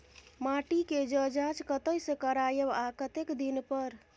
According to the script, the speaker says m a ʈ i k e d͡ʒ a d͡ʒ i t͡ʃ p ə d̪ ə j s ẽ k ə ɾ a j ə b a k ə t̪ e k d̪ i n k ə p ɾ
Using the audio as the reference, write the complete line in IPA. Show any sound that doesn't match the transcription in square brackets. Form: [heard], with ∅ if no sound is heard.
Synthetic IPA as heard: m a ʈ i k e d͡ʒ [ə] d͡ʒ [a] t͡ʃ [k] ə [t̪] ə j s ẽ k ə ɾ a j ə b a k ə t̪ e k d̪ i n [p] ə [∅] ɾ